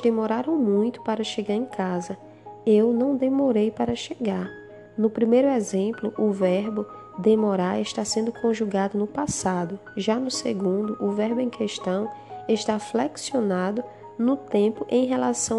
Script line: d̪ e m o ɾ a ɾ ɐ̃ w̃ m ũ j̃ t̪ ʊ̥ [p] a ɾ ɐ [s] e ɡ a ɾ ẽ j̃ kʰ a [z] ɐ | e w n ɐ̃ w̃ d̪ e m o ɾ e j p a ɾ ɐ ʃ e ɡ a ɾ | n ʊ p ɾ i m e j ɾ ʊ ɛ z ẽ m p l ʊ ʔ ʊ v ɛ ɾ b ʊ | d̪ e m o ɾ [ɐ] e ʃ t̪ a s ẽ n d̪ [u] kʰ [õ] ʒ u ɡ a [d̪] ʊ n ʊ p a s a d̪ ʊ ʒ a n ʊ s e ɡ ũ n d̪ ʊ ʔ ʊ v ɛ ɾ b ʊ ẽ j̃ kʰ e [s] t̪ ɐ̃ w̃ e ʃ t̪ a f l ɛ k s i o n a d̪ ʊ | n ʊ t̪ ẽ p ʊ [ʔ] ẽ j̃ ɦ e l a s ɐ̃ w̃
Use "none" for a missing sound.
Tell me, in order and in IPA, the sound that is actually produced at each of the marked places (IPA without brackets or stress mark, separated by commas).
p, ʃ, z, a, ʊ, õ, d̪, ʃ, ʔ